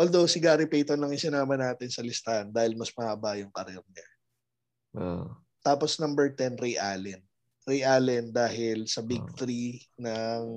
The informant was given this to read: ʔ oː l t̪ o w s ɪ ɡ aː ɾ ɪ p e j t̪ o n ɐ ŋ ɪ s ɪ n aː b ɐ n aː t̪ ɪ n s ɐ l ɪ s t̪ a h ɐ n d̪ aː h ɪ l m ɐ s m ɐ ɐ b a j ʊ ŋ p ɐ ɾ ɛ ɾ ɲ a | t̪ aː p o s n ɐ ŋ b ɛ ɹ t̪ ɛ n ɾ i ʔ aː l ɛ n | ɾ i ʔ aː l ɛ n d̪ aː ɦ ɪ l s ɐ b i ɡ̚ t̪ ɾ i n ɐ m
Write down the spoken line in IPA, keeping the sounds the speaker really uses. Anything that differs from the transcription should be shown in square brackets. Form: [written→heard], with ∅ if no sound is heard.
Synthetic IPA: ʔ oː l [t̪→d̪] o w s ɪ ɡ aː ɾ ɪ p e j t̪ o n ɐ ŋ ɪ s ɪ n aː [b→m] ɐ n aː t̪ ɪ n s ɐ l ɪ s t̪ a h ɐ n d̪ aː h ɪ l m ɐ s m ɐ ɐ b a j ʊ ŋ p ɐ ɾ ɛ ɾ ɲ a | t̪ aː p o s n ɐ [ŋ→m] b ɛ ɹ t̪ ɛ n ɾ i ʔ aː l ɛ n | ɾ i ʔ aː l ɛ n d̪ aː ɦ ɪ l s ɐ b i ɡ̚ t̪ ɾ i n ɐ [m→ŋ]